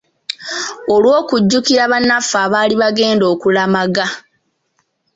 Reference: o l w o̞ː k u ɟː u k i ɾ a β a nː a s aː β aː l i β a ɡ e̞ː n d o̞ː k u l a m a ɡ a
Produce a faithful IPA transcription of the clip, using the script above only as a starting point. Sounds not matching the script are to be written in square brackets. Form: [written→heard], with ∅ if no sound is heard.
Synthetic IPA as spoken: o l w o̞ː k u ɟː u k i ɾ a β a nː a [s→f] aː β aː l i β a ɡ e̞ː n d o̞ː k u l a m a ɡ a

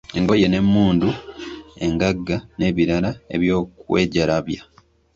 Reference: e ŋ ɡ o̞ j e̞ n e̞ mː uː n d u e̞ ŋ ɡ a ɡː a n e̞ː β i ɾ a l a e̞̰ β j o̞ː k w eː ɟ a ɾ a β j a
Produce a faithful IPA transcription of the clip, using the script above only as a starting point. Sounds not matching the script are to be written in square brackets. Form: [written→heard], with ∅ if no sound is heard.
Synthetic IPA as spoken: e ŋ ɡ o̞ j e̞ n e̞ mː uː n d u e̞ ŋ ɡ a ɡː a n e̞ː β i ɾ a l a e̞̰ β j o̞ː k w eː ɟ a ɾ a β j a

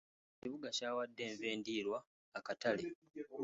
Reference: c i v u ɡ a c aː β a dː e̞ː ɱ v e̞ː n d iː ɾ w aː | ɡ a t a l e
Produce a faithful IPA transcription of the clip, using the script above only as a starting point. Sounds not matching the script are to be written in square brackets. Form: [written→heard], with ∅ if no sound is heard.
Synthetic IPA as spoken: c i [v→β] u ɡ a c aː [β→w] a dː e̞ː ɱ v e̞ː n d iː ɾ w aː | [ɡ→k] a t a l e

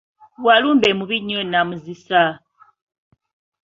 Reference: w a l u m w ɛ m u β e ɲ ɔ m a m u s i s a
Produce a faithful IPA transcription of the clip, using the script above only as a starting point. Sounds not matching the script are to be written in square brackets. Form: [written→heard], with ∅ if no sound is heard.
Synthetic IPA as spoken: w a l u m [w→b] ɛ m u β [e→i] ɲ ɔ [m→n] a m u [s→z] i s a

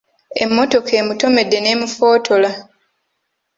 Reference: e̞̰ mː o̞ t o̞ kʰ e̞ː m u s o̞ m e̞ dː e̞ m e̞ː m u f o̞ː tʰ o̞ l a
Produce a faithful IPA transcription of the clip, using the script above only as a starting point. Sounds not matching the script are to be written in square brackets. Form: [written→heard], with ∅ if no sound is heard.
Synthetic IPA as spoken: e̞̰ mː o̞ t o̞ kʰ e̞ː m u [s→t] o̞ m e̞ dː e̞ [m→n] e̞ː m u f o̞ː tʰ o̞ l a

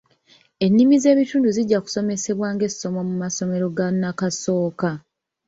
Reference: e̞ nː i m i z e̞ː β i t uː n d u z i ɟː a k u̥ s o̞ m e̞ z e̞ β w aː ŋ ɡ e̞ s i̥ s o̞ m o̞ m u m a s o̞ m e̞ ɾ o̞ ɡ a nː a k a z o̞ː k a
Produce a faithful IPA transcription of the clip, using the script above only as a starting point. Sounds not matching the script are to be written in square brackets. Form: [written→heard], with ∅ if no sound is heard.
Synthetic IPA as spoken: e̞ nː i m i z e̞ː β i t uː n d u z i ɟː a k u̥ s o̞ m e̞ [z→s] e̞ β w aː ŋ ɡ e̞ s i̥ s o̞ m o̞ m u m a s o̞ m e̞ ɾ o̞ ɡ a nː a k a [z→s] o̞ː k a

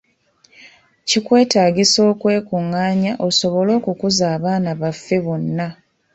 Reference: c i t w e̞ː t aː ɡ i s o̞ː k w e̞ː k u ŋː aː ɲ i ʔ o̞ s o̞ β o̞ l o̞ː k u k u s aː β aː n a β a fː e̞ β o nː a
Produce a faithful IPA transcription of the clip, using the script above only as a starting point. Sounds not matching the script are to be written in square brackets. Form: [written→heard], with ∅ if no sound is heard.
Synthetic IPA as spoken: c i [t→k] w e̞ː t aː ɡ i s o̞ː k w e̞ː k u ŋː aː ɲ [i→a] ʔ o̞ s o̞ β o̞ l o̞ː k u k u [s→z] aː β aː n a β a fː e̞ β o nː a

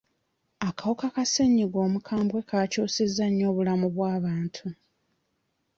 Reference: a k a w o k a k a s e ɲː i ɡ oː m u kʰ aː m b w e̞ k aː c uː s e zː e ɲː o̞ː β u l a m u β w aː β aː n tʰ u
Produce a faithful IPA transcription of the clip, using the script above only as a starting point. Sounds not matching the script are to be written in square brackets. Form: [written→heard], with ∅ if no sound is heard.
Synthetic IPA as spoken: a k a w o k a k a s e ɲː i ɡ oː m u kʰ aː m b w e̞ k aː c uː s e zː [e→a] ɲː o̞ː β u l a m u β w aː β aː n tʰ u

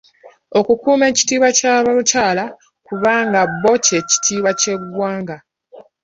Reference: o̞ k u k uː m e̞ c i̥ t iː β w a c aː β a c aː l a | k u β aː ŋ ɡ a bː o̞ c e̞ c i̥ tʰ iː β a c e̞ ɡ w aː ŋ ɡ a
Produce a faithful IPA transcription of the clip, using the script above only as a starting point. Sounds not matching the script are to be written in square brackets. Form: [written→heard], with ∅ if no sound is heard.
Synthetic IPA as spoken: o̞ k u k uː m e̞ c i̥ t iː β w a c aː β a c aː l a | k u β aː ŋ ɡ a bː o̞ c e̞ c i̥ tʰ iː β a c e̞ ɡ w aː ŋ ɡ a

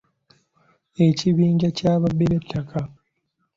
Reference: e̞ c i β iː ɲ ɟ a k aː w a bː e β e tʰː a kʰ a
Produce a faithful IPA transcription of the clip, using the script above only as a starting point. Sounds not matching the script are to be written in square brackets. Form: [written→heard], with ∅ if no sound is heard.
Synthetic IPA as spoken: e̞ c i β iː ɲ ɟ a [k→c] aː [w→β] a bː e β e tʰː a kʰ a

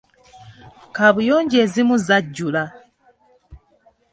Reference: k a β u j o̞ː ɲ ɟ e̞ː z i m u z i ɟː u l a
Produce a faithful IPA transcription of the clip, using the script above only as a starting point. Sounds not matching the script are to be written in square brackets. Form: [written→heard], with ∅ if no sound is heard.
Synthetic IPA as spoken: k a β u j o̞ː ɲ ɟ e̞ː z i m u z [i→a] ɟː u l a

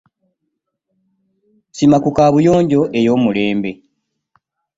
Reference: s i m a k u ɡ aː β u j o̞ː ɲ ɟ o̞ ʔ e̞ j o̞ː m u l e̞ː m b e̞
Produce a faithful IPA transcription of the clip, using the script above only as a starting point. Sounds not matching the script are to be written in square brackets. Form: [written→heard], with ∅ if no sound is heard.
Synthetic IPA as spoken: s i m a k u [ɡ→k] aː β u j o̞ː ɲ ɟ o̞ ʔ e̞ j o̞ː m u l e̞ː m b e̞

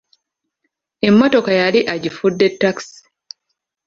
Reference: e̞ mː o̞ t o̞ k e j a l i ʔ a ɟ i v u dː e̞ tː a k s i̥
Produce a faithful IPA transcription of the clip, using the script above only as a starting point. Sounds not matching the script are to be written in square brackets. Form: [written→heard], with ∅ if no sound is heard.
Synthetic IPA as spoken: e̞ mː o̞ t o̞ k [e→a] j a l i ʔ a ɟ i [v→f] u dː e̞ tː a k s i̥

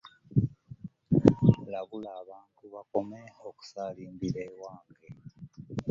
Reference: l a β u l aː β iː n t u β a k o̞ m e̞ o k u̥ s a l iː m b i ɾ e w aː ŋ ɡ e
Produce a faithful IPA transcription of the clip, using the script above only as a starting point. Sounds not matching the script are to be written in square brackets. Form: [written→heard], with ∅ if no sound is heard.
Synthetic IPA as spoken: l a β u l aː β [iː→aː] n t u β a k o̞ m e̞ o k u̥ s a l iː m b i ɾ e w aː ŋ ɡ e

